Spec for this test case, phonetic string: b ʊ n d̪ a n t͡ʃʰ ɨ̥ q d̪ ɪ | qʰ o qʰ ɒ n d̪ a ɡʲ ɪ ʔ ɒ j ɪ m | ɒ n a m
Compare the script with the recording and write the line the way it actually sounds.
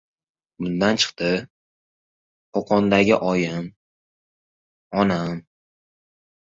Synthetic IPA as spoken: b ʊ n d̪ a n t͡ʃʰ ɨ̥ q t̪ ɪ | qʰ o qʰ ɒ n d̪ a ɡʲ ɪ ʔ ɒ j ɪ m | ɒ n a m